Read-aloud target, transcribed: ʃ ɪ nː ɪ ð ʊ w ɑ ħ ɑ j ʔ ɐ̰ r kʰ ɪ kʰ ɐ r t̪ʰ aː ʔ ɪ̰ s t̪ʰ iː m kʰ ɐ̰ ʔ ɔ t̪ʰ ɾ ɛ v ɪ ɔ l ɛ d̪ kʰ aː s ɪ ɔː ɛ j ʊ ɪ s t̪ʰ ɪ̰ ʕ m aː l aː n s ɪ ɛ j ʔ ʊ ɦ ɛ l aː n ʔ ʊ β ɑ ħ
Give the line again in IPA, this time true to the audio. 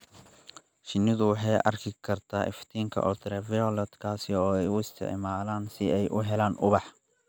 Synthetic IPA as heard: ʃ ɪ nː ɪ ð ʊ w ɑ ħ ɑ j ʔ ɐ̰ r kʰ ɪ kʰ ɐ r t̪ʰ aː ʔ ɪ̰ f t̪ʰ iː ŋ kʰ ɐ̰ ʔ ɔ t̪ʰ ɾ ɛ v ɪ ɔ l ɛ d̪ kʰ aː s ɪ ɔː ɛ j ʊ ɪ s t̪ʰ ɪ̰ ʕ m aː l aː n s ɪ ɛ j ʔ ʊ ɦ ɛ l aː n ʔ ʊ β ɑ ħ

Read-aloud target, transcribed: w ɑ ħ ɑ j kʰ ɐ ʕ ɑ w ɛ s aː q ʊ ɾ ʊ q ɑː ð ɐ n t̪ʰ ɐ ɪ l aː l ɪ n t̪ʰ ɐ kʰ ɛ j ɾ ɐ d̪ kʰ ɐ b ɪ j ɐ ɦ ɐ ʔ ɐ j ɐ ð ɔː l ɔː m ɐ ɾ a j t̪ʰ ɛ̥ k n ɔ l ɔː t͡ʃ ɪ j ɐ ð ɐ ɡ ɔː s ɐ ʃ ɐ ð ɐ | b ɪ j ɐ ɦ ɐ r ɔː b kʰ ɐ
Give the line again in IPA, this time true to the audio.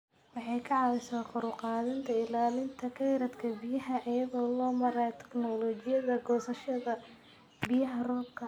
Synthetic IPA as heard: w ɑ ħ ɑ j kʰ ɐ ʕ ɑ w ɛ s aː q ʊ ɾ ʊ q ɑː ð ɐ n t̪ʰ ɐ ɪ l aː l ɪ n t̪ʰ ɐ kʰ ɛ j ɾ ɐ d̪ kʰ ɐ b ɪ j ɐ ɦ ɐ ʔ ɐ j ɐ ð ɔː l ɔː m ɐ ɾ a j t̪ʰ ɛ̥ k n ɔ l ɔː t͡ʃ ɪ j ɐ ð ɐ ɡ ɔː s ɐ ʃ ɐ ð ɐ | b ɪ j ɐ ɦ ɐ r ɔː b kʰ ɐ

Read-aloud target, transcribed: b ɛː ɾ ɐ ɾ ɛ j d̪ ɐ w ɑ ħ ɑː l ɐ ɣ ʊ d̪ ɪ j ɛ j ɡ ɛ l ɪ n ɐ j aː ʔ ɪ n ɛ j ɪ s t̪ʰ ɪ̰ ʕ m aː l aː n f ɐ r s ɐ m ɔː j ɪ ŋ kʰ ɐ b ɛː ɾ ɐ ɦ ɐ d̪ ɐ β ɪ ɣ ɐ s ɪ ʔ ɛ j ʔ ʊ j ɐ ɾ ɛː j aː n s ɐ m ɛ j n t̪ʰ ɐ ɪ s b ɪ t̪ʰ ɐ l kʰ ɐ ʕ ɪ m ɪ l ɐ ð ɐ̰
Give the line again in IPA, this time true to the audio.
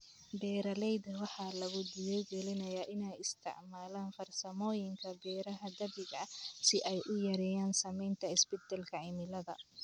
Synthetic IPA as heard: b ɛː ɾ ɐ l ɛ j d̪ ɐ w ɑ ħ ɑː l ɐ ɣ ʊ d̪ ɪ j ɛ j ɡ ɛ l ɪ n ɐ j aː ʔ ɪ n ɛ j ɪ s t̪ʰ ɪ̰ ʕ m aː l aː n f ɐ r s ɐ m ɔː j ɪ ŋ kʰ ɐ b ɛː ɾ ɐ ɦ ɐ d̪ ɐ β ɪ ɣ ɐ s ɪ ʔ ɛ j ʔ ʊ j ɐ ɾ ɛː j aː n s ɐ m ɛ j n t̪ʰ ɐ ɪ s b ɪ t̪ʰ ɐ l kʰ ɐ ʕ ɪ m ɪ l ɐ ð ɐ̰

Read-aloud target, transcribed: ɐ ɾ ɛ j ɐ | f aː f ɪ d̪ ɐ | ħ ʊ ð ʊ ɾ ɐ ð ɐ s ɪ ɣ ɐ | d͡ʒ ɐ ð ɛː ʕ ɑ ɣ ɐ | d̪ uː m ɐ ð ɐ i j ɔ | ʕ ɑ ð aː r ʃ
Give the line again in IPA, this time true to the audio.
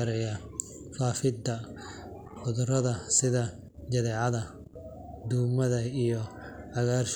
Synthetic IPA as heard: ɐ ɾ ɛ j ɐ | f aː f ɪ d̪ ɐ | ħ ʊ ð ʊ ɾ ɐ ð ɐ s ɪ ð ɐ | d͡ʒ ɐ ð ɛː ʕ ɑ ð ɐ | d̪ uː m ɐ ð ɐ i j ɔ | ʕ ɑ ɣ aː r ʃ

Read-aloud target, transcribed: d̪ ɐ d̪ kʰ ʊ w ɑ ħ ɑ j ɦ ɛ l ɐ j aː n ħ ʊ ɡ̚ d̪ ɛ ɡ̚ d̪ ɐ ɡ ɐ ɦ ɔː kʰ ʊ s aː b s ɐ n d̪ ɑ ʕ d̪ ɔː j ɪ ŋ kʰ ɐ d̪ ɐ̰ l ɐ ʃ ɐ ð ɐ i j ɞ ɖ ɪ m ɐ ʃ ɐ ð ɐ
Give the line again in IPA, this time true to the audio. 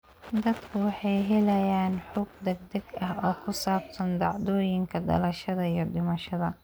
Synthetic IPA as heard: d̪ ɐ d̪ kʰ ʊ w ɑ ħ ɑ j ɦ ɛ l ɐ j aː n ħ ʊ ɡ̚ d̪ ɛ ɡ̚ d̪ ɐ ɡ ɐ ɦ ɔː kʰ ʊ s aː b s ɐ n d̪ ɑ ʕ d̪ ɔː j ɪ ŋ kʰ ɐ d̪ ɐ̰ l ɐ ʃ ɐ ð ɐ i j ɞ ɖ ɪ m ɐ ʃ ɐ ð ɐ

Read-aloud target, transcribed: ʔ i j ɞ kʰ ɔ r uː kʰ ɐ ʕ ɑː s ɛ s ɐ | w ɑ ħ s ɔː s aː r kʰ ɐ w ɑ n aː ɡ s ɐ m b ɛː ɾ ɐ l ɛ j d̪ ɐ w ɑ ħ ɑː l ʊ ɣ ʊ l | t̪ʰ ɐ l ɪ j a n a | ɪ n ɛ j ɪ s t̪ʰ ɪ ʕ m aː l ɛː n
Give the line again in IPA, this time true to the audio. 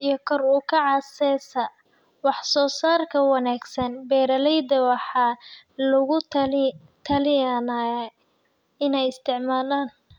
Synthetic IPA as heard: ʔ i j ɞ kʰ ɔ r uː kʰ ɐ ʕ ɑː s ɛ s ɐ | w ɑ ħ s ɔː s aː r kʰ ɐ w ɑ n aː ɡ s ɐ n b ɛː ɾ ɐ l ɛ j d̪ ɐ w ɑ ħ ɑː l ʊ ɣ ʊ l | t̪ʰ ɐ l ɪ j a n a | ɪ n ɛ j ɪ s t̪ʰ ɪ ʕ m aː l aː n

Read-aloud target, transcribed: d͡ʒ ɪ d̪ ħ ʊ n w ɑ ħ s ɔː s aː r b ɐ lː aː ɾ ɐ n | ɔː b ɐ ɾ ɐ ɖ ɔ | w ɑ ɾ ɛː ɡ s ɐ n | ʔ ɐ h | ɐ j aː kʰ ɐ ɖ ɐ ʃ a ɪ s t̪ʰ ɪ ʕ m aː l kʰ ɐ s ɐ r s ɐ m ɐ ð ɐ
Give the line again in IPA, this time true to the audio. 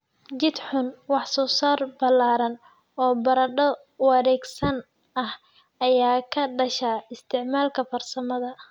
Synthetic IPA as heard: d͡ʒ ɪ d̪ ħ ʊ n w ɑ ħ s ɔː s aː r b ɐ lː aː ɾ ɐ n | ɔː b ɐ ɾ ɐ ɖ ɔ | w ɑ ɾ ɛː ɡ s ɐ n | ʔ ɐ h | ɐ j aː kʰ ɐ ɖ ɐ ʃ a ɪ s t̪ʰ ɪ ʕ m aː l kʰ ɐ f ɐ r s ɐ m ɐ ð ɐ

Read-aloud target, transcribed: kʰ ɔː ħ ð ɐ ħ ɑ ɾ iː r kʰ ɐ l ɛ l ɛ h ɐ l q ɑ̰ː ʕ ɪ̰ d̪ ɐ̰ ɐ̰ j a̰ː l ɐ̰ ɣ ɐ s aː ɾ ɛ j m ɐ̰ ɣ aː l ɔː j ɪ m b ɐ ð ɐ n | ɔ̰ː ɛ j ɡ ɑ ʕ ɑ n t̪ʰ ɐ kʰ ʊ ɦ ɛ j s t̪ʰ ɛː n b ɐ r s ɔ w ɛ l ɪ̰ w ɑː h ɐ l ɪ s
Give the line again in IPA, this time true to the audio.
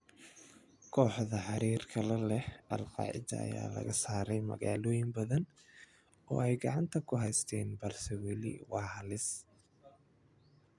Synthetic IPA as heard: kʰ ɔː ħ ð ɐ ħ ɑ ɾ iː r kʰ ɐ l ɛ l ɛ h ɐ l q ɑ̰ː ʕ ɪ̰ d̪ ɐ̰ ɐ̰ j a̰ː l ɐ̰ ɣ ɐ s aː ɾ ɛ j m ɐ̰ ɣ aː l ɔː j ɪ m b ɐ ð ɐ n | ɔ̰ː ɛ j ɡ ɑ ʕ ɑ n t̪ʰ ɐ kʰ ʊ ɦ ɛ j s t̪ʰ ɛː n b ɐ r s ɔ w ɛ l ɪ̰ w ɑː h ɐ l ɪ s

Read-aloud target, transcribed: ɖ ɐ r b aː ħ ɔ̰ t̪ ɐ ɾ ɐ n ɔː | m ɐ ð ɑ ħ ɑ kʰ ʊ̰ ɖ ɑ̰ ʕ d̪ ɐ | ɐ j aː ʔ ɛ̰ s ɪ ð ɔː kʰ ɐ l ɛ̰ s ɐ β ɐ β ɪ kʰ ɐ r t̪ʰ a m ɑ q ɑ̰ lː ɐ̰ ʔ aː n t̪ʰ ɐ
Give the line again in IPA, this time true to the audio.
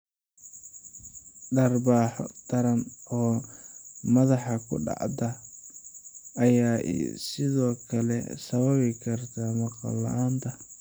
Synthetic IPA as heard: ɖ ɐ r b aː ħ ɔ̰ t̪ ɐ ɾ ɐ n ɔː | m ɐ ð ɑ ħ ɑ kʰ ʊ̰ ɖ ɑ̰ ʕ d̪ ɐ | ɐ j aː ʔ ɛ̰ s ɪ ð ɔː kʰ ɐ l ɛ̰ s ɐ β ɐ β ɪ kʰ ɐ r t̪ʰ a m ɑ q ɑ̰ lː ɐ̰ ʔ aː n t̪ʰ ɐ

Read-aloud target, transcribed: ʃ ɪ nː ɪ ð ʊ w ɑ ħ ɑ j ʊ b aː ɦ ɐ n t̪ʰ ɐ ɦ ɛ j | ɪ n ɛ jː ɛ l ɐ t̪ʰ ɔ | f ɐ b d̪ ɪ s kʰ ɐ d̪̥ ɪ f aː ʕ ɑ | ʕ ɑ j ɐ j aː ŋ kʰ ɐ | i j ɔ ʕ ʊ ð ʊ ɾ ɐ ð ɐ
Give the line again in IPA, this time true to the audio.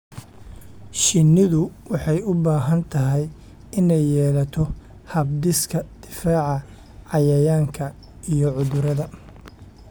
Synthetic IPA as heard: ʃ ɪ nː ɪ ð ʊ w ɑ ħ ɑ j ʊ b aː ɦ ɐ n t̪ʰ ɐ ɦ ɛ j | ɪ n ɛ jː ɛː l ɐ t̪ʰ ɔ | h ɐ b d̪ ɪ s kʰ ɐ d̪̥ ɪ f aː ʕ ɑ | ʕ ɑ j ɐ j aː ŋ kʰ ɐ | i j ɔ ʕ ʊ ð ʊ ɾ ɐ ð ɐ

